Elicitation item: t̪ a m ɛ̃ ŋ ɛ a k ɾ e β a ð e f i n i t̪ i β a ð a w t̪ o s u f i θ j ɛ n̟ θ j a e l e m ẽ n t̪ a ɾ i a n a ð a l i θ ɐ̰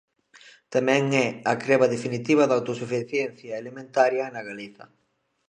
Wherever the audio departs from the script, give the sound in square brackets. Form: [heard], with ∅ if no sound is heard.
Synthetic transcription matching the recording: t̪ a m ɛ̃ ŋ ɛ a k ɾ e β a ð e f i n i t̪ i β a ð a w t̪ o s u f i θ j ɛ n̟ θ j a e l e m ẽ n t̪ a ɾ [j] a n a [ɣ] a l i θ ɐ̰